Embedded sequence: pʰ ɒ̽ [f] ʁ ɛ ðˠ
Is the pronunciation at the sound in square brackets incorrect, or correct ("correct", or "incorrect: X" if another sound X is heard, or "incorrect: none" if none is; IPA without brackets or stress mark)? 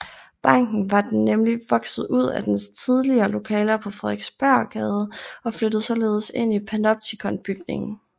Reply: correct